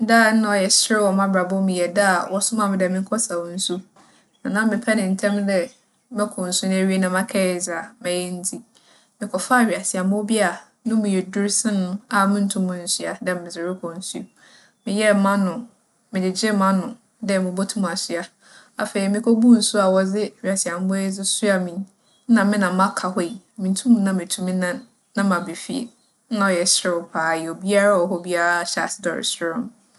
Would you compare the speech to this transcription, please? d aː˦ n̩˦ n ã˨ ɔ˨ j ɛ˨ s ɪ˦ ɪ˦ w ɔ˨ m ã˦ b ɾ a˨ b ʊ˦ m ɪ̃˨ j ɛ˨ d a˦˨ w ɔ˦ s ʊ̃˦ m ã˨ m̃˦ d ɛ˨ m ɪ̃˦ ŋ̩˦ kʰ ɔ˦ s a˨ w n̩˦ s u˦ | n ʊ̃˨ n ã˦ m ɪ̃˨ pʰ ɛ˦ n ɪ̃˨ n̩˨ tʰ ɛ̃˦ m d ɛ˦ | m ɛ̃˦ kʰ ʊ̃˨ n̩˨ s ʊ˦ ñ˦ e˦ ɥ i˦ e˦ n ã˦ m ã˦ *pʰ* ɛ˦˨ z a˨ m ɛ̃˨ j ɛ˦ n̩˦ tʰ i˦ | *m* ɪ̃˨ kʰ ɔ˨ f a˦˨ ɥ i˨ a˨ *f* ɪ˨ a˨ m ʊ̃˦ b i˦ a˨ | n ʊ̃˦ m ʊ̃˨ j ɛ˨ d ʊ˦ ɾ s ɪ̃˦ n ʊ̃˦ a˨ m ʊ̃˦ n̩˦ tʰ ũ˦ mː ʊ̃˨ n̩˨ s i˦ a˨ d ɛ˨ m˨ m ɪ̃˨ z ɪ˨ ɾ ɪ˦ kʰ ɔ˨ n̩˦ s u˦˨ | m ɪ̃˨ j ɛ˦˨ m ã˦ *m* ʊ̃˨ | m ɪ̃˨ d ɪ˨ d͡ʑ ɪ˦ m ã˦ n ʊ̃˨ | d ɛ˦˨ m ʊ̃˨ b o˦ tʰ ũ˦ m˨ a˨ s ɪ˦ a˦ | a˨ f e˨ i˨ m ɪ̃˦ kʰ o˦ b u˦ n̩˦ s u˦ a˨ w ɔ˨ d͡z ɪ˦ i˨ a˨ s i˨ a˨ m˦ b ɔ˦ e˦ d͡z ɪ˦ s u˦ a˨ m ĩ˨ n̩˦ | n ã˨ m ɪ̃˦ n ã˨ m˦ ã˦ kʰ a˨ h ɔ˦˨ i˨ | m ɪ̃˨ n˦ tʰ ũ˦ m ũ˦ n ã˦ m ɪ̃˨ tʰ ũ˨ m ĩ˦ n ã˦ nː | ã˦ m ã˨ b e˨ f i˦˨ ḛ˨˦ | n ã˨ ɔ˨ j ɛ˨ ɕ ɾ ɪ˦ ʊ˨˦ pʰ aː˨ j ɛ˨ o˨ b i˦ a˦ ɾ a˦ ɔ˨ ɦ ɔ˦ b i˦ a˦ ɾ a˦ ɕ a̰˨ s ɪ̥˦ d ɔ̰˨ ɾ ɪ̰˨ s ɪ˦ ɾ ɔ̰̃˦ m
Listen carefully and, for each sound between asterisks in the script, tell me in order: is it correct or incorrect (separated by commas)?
incorrect, correct, incorrect, incorrect